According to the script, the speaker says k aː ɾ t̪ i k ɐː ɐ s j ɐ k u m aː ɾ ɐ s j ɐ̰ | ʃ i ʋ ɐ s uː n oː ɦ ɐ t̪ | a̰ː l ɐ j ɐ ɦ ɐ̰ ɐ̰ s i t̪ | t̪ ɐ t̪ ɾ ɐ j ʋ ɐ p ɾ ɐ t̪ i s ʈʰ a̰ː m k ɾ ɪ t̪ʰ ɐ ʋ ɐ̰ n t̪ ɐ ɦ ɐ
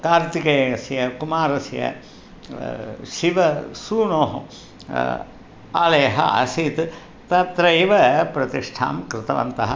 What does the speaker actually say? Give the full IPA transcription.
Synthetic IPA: k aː ɾ t̪ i k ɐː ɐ s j ɐ k u m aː ɾ ɐ s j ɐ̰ | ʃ i ʋ ɐ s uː n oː ɦ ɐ | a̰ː l ɐ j ɐ ɦ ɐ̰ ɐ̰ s i t̪ | t̪ ɐ t̪ ɾ ɐ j ʋ ɐ p ɾ ɐ t̪ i ʂ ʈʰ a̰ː m k ɾ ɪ t̪ ɐ ʋ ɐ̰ n t̪ ɐ ɦ ɐ